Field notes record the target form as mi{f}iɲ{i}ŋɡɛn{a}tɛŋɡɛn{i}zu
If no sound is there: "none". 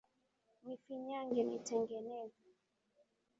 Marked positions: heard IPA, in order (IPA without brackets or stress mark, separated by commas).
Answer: f, a, i, ɛ